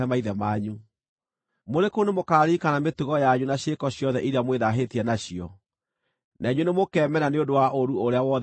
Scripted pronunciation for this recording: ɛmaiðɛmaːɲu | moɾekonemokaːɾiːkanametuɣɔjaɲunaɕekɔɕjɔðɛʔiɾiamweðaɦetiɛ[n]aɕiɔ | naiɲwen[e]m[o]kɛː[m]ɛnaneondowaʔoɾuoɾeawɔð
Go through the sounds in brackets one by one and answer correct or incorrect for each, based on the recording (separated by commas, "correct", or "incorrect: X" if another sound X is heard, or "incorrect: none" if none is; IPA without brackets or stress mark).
correct, correct, correct, correct